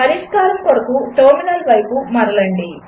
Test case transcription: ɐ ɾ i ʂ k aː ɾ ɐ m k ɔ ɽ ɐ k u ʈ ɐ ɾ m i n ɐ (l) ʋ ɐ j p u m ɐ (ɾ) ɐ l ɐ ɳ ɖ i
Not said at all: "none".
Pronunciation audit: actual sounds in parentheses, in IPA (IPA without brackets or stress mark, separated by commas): l, ɾ